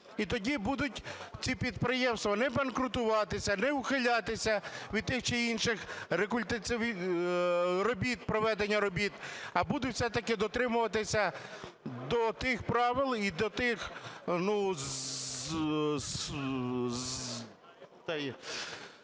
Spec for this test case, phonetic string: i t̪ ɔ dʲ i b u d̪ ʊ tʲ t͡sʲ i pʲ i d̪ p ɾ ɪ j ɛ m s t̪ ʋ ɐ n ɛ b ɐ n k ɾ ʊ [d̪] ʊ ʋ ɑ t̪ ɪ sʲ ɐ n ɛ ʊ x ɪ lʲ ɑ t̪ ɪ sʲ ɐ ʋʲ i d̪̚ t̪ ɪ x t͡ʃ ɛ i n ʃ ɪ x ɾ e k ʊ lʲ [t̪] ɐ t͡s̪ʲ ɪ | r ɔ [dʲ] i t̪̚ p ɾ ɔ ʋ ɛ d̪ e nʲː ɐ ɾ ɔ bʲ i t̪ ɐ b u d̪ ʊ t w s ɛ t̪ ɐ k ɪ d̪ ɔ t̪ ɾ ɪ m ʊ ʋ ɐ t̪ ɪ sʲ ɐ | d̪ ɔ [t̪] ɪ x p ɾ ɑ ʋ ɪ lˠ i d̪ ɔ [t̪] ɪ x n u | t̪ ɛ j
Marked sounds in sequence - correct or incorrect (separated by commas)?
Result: incorrect, correct, incorrect, correct, correct